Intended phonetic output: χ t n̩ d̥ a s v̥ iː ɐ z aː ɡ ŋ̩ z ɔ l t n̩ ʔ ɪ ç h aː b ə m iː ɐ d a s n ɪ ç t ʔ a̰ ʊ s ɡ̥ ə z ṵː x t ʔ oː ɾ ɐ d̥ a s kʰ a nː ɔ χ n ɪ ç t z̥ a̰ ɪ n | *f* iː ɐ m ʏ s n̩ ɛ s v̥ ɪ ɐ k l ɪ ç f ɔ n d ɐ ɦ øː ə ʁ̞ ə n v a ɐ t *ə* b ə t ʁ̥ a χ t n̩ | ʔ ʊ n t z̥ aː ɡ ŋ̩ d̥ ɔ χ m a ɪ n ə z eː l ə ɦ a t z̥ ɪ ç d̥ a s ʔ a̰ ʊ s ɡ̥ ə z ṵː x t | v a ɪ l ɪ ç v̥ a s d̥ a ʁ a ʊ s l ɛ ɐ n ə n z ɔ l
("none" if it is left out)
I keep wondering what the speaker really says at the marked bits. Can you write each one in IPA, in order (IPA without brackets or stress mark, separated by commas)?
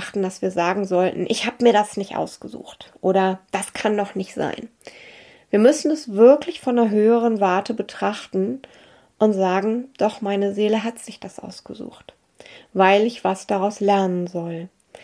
v, ə